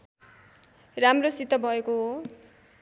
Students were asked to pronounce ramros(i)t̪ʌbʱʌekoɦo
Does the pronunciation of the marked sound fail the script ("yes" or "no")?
no